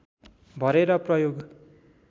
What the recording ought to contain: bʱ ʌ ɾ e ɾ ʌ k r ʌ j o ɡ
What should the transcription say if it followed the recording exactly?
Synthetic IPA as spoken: bʱ ʌ ɾ e ɾ ʌ p r ʌ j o ɡ

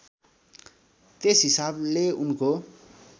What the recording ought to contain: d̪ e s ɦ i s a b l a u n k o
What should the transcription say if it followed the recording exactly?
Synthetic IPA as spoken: t̪ e s ɦ i s a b l e u n k o

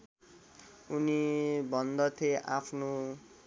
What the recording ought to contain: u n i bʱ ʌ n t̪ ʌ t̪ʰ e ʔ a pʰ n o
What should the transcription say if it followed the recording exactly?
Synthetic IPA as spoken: u n i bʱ ʌ n d̪ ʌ t̪ʰ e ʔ a pʰ n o

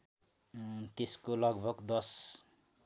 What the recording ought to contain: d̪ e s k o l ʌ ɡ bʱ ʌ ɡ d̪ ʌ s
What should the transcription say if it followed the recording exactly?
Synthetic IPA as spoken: t̪ e s k o l ʌ ɡ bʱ ʌ ɡ d̪ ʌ s

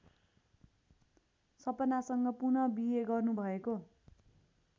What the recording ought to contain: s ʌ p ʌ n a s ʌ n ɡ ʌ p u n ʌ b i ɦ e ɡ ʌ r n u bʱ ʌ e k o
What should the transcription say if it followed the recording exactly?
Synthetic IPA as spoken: s ʌ p ʌ n a s ʌ ŋ ɡ ʌ p u n ʌ b i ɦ e ɡ ʌ r n u bʱ ʌ e k o

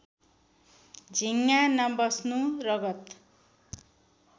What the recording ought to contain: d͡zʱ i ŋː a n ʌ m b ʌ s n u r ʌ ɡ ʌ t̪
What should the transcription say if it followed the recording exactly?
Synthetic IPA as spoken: d͡zʱ i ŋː a n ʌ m b ʌ s n u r ʌ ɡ ʌ t̪

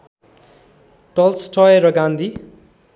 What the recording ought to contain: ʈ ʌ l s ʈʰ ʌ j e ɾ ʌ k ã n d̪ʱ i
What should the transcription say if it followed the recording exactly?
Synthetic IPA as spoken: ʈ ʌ l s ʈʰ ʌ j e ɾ ʌ ɡ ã n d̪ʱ i

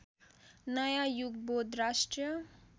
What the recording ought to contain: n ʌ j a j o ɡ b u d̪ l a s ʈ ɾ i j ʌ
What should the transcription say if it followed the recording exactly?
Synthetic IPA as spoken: n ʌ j a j u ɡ b o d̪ ɾ a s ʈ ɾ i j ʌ

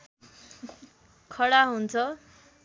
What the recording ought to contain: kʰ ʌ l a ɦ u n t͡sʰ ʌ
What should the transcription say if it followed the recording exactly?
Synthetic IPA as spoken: kʰ ʌ ɽ a ɦ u n t͡sʰ ʌ

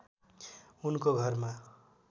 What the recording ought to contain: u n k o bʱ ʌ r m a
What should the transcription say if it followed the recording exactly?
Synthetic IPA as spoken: u n k o ɡʱ ʌ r m a

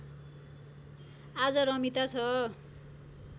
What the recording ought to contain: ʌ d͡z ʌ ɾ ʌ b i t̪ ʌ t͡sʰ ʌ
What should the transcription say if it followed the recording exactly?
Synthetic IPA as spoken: a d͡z ʌ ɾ ʌ m i t̪ a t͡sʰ ʌ

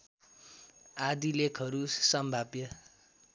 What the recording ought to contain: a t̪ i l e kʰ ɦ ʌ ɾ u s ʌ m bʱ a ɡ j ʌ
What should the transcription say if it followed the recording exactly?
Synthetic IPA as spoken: a d̪ i l e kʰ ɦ ʌ ɾ u s ʌ m bʱ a b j ʌ

